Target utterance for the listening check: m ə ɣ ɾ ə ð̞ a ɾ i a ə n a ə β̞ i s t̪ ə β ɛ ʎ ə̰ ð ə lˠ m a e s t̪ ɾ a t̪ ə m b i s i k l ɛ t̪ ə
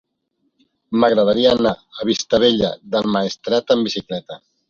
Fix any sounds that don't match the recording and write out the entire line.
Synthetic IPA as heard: m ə ɣ ɾ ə ð̞ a ɾ i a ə n a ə β̞ i s t̪ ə β e ʎ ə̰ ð ə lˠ m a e s t̪ ɾ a t̪ ə m b i s i k l ɛ t̪ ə